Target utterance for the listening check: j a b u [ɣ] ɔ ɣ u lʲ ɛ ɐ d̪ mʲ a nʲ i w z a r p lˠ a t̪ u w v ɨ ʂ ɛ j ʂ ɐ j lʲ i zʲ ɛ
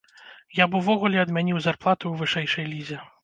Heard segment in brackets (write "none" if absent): v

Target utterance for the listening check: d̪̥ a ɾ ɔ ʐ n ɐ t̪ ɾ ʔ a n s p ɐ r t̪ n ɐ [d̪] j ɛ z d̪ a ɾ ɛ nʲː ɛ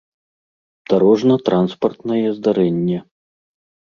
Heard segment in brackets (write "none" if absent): none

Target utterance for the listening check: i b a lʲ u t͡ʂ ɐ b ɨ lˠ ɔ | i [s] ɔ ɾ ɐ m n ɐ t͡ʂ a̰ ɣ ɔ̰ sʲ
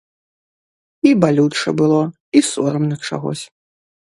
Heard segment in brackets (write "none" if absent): s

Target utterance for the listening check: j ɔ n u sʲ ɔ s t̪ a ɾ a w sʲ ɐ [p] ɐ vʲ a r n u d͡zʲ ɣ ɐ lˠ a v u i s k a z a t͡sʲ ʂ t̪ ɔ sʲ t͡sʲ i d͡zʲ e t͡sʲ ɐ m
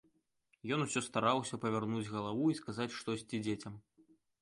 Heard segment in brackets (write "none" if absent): p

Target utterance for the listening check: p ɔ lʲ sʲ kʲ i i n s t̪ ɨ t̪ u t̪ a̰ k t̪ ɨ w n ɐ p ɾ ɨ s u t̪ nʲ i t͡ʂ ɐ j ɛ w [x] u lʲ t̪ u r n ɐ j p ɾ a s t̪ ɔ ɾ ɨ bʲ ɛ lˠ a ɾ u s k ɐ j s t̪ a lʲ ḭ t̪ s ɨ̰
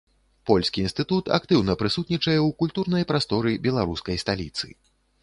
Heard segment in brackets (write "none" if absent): k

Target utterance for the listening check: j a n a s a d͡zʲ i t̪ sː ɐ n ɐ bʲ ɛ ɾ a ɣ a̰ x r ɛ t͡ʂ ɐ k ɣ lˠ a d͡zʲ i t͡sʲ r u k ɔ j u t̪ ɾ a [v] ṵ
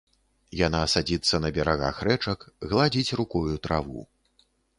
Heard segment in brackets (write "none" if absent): v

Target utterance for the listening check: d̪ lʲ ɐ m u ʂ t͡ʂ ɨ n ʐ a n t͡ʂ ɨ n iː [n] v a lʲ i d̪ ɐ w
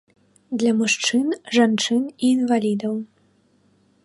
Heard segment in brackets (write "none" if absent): n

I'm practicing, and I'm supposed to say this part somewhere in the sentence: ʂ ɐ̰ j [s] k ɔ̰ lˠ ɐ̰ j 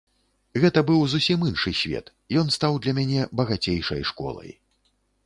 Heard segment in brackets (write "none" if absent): ʂ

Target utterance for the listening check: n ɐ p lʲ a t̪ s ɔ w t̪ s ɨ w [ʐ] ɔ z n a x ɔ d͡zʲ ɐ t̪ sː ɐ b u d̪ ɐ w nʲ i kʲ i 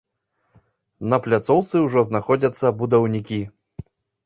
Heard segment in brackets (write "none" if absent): ʐ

